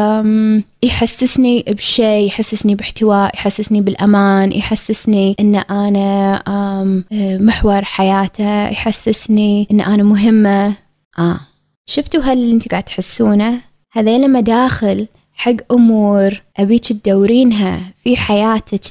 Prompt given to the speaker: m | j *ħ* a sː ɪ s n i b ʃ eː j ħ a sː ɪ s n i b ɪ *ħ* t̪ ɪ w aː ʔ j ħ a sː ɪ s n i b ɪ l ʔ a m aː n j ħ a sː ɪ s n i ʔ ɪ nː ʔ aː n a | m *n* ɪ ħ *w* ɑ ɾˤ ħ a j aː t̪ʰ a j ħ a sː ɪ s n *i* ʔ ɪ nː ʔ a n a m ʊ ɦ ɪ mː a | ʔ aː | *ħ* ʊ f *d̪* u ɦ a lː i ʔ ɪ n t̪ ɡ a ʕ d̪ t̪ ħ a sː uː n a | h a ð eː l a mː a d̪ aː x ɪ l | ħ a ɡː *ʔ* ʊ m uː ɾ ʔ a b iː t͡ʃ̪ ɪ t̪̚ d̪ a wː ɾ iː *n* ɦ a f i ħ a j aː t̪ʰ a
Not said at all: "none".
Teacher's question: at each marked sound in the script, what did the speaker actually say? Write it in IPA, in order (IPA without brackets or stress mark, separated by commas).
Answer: ħ, ħ, m, w, i, ʃ, t̪, ʔ, n